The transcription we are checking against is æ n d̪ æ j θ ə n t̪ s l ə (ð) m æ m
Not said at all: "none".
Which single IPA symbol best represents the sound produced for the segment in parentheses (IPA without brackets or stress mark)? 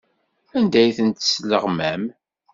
ʁ